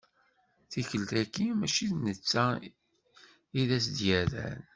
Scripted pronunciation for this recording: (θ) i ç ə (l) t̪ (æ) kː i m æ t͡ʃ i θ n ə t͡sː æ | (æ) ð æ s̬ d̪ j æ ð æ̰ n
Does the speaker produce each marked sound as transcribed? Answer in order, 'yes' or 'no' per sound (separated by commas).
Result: yes, yes, yes, no